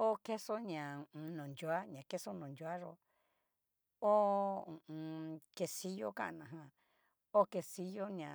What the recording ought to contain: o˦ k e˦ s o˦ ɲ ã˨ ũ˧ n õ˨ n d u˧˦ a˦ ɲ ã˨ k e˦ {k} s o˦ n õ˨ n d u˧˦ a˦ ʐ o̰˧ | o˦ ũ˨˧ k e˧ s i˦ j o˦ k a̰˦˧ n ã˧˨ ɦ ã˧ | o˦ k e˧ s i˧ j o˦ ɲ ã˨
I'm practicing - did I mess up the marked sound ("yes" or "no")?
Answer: yes